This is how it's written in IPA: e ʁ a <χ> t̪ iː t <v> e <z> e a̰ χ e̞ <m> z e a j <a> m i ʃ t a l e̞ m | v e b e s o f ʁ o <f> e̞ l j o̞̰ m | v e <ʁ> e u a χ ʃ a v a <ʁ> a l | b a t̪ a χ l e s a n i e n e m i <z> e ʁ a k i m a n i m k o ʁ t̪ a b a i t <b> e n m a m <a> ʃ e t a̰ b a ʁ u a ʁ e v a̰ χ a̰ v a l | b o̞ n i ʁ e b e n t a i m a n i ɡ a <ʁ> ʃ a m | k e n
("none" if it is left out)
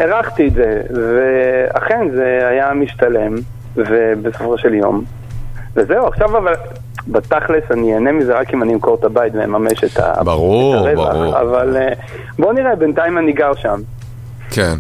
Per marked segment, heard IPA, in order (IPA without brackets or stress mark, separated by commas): χ, z, v, n, a, ʃ, z, v, z, v, e, ʁ